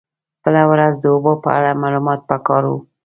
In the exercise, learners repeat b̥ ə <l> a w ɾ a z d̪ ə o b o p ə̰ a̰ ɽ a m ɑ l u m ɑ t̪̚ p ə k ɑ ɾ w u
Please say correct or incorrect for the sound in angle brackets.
correct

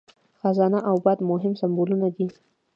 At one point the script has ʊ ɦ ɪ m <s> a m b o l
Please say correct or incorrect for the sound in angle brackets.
correct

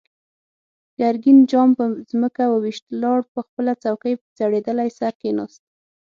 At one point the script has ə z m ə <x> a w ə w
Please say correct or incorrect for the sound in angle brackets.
incorrect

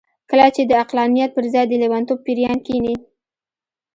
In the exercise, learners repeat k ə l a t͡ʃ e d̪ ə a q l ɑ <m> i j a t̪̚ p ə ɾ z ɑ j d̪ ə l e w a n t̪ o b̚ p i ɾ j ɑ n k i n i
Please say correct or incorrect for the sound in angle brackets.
incorrect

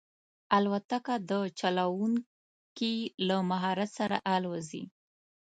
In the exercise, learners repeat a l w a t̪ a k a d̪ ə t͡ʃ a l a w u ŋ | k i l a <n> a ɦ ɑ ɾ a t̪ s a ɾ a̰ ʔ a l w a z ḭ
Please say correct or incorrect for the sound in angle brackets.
incorrect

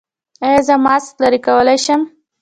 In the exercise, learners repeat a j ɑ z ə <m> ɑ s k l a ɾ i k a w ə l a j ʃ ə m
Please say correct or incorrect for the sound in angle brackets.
correct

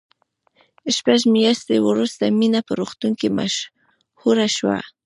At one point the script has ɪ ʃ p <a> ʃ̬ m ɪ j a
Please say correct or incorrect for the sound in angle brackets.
correct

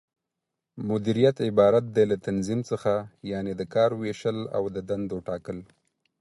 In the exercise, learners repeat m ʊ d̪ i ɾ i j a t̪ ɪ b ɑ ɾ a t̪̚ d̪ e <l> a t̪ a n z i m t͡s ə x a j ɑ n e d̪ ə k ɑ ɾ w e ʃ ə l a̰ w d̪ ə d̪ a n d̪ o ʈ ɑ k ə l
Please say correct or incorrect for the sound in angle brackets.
correct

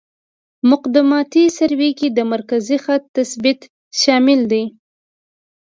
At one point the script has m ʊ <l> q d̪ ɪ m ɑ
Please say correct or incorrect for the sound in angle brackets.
incorrect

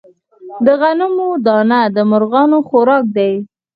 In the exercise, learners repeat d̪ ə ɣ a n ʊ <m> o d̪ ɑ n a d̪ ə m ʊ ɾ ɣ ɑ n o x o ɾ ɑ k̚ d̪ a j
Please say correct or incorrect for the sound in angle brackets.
correct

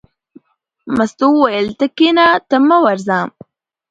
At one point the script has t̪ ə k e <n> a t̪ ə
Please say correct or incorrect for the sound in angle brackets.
correct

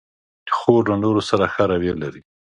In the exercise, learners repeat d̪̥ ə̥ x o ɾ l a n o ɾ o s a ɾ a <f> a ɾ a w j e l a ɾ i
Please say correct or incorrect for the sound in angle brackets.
incorrect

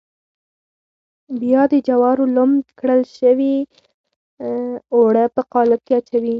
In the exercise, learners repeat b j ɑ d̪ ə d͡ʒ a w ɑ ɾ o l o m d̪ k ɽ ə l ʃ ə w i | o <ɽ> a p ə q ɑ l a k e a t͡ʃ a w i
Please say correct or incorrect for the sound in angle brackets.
correct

